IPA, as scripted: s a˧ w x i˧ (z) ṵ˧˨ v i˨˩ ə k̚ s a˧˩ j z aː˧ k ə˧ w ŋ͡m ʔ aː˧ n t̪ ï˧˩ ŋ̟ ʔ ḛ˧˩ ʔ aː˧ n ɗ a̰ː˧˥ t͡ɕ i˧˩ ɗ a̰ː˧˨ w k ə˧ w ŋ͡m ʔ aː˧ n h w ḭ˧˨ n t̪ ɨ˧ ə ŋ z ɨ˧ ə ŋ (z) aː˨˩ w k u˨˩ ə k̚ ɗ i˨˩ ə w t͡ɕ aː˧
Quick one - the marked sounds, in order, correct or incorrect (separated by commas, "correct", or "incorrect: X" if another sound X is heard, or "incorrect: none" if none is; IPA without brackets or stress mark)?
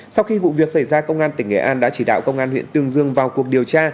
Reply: incorrect: v, incorrect: v